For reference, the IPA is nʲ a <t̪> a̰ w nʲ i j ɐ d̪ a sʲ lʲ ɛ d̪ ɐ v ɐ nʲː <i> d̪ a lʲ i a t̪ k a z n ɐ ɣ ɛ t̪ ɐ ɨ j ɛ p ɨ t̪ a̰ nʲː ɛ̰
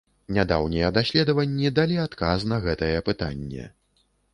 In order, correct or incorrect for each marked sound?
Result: incorrect: d̪, correct

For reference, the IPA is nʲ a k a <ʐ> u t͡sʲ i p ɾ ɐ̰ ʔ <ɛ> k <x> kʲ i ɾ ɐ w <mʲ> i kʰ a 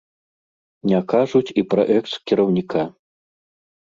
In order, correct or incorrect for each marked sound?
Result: correct, correct, incorrect: s, incorrect: nʲ

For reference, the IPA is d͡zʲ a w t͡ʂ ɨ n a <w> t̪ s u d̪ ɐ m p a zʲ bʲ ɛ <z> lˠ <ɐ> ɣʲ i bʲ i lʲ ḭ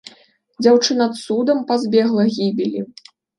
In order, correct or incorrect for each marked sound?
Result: incorrect: none, incorrect: ɣ, correct

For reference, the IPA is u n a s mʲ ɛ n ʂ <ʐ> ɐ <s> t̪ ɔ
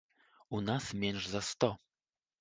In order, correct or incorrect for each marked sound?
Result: incorrect: z, correct

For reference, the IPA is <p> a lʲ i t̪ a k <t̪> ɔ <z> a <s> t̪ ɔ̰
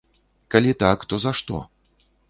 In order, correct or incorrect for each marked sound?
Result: incorrect: k, correct, correct, incorrect: ʂ

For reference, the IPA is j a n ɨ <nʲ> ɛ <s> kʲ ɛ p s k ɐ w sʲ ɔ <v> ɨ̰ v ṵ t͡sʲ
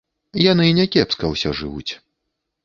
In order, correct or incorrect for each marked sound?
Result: correct, incorrect: none, incorrect: ʐ

